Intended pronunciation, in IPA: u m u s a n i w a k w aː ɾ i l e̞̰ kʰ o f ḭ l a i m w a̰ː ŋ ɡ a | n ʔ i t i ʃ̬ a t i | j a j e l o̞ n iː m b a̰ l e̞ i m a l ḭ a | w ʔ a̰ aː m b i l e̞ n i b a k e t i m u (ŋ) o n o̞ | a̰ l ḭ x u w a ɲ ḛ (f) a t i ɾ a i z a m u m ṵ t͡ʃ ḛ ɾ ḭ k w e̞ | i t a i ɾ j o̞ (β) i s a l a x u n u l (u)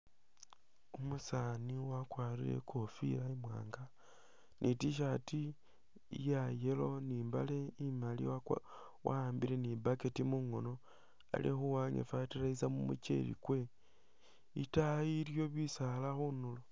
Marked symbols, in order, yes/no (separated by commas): yes, yes, yes, no